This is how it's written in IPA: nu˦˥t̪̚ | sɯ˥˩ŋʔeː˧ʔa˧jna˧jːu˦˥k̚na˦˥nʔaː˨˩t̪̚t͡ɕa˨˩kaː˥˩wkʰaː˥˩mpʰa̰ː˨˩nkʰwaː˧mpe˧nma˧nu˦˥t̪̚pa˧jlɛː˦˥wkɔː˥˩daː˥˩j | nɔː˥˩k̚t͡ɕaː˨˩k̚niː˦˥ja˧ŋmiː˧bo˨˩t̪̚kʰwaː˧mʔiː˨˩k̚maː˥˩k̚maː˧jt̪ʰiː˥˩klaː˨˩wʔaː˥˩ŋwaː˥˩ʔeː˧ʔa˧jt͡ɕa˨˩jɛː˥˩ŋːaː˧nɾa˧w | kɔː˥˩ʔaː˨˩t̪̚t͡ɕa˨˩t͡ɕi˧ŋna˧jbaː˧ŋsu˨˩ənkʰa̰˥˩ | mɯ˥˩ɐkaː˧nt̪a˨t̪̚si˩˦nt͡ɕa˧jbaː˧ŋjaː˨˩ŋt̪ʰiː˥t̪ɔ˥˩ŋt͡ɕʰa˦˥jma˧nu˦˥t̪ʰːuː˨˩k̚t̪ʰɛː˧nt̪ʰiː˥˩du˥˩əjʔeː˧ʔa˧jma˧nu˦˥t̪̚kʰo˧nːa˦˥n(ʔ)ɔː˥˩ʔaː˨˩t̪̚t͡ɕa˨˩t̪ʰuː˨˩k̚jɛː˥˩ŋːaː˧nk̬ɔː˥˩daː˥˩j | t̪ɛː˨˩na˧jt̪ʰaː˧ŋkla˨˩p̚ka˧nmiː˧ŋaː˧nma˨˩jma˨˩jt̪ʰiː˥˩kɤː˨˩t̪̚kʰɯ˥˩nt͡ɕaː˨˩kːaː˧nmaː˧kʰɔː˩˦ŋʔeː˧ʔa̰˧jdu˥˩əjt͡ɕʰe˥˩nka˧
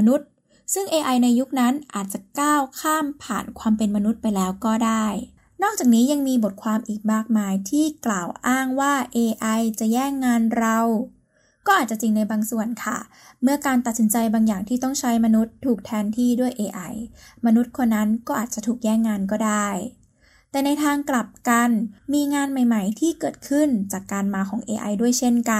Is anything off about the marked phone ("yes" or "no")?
yes